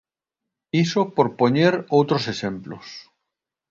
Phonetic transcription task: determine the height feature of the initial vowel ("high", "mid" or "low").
high